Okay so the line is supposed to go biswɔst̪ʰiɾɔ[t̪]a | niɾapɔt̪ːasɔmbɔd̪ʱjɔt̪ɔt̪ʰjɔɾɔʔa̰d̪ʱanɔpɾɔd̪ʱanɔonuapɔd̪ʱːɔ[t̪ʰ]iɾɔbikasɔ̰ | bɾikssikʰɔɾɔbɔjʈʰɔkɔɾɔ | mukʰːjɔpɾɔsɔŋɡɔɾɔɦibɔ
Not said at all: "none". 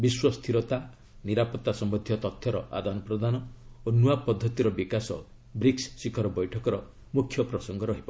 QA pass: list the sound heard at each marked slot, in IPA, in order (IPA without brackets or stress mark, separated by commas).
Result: t̪, t̪